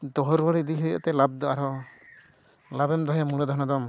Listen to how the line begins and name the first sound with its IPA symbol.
d̪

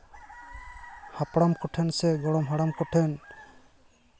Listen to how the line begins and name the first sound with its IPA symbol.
h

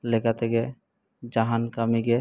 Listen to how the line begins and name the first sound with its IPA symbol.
l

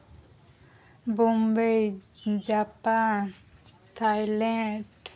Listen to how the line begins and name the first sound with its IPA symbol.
b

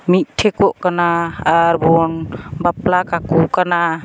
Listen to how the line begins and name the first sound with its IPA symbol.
m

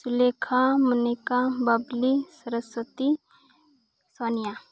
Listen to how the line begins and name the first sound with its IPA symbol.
s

